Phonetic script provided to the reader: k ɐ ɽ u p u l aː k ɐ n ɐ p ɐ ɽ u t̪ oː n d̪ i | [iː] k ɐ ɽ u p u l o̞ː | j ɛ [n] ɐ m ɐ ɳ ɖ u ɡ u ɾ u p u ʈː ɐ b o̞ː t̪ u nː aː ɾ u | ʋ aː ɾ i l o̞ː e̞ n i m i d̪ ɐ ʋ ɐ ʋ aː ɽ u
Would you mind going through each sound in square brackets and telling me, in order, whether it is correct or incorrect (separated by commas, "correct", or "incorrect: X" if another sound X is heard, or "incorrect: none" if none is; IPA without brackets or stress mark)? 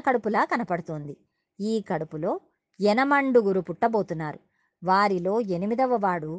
correct, correct